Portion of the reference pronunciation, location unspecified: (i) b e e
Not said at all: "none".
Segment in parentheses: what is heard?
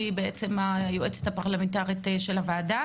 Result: i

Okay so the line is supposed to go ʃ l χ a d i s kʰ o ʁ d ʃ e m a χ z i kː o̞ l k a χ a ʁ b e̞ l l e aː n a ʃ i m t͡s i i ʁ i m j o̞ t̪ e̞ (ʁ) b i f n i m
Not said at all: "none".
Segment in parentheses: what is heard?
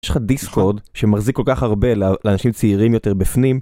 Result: ʁ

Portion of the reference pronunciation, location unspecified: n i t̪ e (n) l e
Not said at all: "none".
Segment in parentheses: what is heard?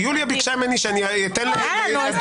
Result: n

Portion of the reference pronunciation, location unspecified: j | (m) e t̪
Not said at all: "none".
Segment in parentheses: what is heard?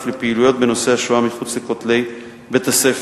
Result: b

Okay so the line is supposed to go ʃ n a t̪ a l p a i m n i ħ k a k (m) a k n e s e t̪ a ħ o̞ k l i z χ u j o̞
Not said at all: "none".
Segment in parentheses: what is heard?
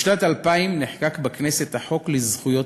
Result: b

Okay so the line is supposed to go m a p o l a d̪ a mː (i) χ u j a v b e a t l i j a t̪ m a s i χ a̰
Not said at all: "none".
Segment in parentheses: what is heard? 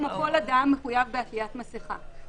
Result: e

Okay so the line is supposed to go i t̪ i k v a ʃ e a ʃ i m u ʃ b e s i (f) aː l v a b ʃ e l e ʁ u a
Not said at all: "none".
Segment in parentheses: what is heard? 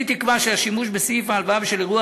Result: f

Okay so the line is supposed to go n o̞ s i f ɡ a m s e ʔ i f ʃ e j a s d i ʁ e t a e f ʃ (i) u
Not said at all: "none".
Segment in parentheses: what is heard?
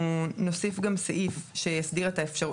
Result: a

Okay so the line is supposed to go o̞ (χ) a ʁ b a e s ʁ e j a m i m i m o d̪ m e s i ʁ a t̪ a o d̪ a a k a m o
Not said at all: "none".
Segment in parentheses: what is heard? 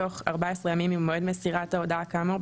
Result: χ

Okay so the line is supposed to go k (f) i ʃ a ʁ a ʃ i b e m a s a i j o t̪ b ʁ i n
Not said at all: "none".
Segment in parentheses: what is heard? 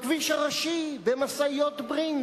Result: v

